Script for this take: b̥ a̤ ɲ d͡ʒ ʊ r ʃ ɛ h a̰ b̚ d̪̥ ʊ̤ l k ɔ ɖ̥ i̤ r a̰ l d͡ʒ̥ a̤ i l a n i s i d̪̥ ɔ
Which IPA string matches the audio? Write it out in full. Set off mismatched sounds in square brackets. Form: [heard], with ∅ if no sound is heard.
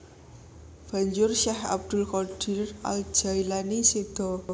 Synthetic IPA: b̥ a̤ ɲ d͡ʒ ʊ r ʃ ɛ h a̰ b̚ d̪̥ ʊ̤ l k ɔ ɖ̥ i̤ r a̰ l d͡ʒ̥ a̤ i l a n i s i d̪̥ ɔ